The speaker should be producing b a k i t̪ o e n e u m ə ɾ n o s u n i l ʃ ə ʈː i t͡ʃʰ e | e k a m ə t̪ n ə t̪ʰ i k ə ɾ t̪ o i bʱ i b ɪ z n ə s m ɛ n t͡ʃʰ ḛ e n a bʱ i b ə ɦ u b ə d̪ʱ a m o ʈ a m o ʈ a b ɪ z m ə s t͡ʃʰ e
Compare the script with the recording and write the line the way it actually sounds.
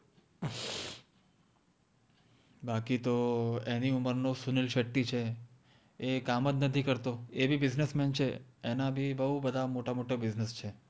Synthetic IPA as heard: b a k i t̪ o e n i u m ə ɾ n o s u n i l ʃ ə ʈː i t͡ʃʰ e | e k a m ə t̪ n ə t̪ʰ i k ə ɾ t̪ o e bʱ i b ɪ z n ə s m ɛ n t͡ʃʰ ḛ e n a bʱ i b ə ɦ u b ə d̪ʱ a m o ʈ a m o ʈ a b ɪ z n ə s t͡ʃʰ e